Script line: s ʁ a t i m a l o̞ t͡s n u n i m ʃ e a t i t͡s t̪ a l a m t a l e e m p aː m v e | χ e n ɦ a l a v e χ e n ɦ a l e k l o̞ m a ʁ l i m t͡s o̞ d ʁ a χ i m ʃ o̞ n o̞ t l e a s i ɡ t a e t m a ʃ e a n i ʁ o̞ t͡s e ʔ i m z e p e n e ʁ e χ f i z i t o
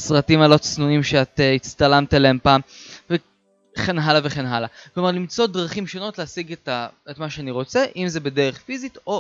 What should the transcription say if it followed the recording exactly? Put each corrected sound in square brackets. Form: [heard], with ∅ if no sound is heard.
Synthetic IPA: s ʁ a t i m a l o̞ t͡s n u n i m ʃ e a t i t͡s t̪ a l a m t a l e e m p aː m v e | χ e n ɦ a l a v e χ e n ɦ a l [a] k l o̞ m a ʁ l i m t͡s o̞ d ʁ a χ i m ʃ o̞ n o̞ t l e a s i ɡ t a e t m a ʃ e a n i ʁ o̞ t͡s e ʔ i m z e [b] e [d] e ʁ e χ f i z i t o